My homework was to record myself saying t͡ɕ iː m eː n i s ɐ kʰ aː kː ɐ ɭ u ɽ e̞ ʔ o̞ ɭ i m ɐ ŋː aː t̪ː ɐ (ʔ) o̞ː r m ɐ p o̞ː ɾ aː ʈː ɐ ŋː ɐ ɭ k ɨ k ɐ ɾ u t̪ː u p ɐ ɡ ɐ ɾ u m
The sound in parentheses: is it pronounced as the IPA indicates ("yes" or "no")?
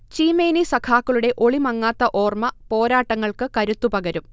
yes